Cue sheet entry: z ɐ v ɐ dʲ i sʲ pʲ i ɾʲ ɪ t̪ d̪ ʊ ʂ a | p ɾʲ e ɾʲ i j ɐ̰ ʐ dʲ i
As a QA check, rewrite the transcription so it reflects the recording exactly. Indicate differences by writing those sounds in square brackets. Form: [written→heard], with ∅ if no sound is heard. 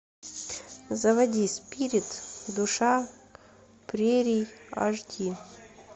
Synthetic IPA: z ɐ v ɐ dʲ i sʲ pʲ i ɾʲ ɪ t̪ d̪ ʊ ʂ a | p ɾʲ e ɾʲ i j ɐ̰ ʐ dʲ i